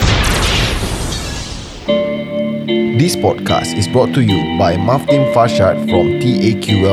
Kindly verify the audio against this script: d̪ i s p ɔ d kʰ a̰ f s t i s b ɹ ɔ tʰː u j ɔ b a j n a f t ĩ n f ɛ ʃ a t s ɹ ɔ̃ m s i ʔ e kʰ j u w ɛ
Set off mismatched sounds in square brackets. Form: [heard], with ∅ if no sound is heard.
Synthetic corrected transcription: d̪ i s p ɔ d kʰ a̰ [∅] s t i s b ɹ ɔ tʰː u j [u] b a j [m] a f t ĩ n f [a] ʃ a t [f] ɹ ɔ̃ m [t] i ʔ e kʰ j u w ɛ